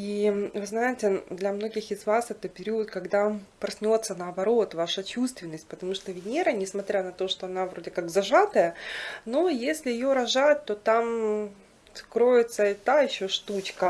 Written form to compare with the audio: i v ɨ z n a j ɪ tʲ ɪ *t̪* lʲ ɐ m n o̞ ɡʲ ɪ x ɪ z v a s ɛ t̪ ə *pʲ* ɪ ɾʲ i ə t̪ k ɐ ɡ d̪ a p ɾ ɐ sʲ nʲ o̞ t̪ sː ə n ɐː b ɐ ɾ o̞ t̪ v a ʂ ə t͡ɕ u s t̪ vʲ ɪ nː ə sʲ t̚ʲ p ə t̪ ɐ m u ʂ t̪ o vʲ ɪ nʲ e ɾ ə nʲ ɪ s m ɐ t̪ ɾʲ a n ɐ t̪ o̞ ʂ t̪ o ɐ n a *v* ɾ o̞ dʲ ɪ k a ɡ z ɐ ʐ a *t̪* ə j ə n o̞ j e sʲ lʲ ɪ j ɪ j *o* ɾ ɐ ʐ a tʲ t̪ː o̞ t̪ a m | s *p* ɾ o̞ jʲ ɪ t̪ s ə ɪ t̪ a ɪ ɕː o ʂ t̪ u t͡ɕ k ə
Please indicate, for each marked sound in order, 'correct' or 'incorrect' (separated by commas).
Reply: incorrect, correct, correct, correct, correct, incorrect